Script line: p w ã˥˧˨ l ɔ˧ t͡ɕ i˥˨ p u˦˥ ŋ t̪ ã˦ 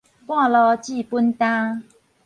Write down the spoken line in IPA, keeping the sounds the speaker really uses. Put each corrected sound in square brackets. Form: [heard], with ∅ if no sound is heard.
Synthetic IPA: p w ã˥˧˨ l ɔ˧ t͡ɕ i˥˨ p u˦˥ [n] t̪ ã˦

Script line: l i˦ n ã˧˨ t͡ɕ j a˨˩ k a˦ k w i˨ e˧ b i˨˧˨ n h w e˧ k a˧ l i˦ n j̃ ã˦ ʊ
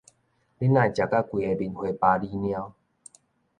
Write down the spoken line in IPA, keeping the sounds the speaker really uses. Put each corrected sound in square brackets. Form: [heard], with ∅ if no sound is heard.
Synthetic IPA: l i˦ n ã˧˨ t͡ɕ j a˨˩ k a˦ k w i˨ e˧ b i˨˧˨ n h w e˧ [p] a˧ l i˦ n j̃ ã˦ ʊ

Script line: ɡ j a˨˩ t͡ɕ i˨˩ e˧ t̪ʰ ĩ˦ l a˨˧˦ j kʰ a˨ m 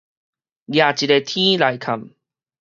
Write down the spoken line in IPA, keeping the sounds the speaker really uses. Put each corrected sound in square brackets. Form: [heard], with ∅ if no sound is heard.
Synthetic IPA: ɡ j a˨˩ t͡ɕ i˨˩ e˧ t̪ʰ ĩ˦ l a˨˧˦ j kʰ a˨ m

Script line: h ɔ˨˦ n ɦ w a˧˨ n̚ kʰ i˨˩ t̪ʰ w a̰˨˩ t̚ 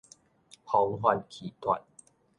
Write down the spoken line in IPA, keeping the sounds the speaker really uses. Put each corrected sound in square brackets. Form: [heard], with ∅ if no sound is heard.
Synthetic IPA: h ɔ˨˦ [ŋ] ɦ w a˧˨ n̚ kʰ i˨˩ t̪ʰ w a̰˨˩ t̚

